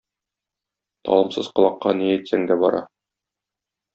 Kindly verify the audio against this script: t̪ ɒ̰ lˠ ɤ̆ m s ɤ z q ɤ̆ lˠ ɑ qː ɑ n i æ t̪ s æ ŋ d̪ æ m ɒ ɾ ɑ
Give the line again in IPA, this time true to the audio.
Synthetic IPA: t̪ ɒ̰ lˠ ɤ̆ m s ɤ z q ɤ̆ lˠ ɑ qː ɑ n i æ t̪ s æ ŋ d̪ æ b ɒ ɾ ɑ